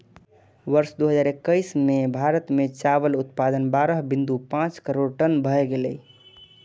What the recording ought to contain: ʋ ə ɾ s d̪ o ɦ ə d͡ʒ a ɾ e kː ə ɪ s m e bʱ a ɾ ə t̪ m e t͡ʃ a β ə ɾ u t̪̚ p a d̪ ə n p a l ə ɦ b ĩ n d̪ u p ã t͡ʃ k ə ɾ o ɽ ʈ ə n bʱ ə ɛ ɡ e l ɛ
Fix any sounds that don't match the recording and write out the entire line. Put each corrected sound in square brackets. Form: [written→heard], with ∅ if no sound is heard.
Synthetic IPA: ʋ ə ɾ s d̪ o ɦ ə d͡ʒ a ɾ e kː ə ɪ s m e bʱ a ɾ ə t̪ m e t͡ʃ a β ə [ɾ→l] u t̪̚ p a d̪ ə n [p→b] a [l→ɾ] ə ɦ b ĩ n d̪ u p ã t͡ʃ k ə ɾ o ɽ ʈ ə n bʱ ə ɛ ɡ e l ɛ